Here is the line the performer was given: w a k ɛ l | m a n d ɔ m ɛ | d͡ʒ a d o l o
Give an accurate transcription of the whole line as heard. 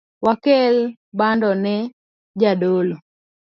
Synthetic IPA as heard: w a k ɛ l | b a n d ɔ n ɛ | d͡ʒ a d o l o